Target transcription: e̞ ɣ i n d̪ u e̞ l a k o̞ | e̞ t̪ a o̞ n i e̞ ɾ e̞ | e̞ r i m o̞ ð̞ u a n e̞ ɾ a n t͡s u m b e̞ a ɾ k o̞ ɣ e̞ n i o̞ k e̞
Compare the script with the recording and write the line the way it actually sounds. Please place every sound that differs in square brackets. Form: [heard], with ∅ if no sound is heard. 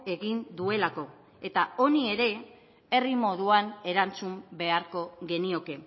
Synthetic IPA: e̞ ɣ i n d̪ u e̞ l a k o̞ | e̞ t̪ a o̞ n i e̞ ɾ e̞ | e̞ r i m o̞ ð̞ u a n e̞ ɾ a n t͡s u m b e̞ a ɾ k o̞ ɣ e̞ n i o̞ k e̞